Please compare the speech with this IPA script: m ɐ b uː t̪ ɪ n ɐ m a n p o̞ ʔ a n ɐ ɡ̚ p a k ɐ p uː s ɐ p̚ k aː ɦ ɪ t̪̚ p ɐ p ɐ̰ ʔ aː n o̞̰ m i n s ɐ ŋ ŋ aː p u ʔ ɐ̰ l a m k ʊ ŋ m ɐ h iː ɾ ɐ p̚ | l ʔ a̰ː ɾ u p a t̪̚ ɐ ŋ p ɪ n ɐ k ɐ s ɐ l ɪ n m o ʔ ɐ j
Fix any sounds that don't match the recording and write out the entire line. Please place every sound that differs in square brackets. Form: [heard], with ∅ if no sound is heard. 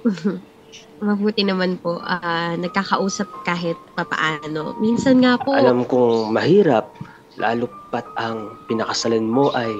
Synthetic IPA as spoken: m ɐ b uː t̪ ɪ n ɐ m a n p o̞ ʔ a n ɐ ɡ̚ [k] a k ɐ [ʔ] uː s ɐ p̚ k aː ɦ ɪ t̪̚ p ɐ p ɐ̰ ʔ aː n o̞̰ m i n s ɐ [n] ŋ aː p [o] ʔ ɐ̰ l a m k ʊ ŋ m ɐ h iː ɾ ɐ p̚ | l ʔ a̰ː [l] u p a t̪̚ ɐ ŋ p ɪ n ɐ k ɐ s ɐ l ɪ n m o ʔ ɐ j